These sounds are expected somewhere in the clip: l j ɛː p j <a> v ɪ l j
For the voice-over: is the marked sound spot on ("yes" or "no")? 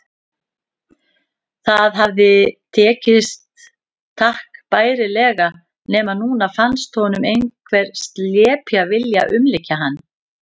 yes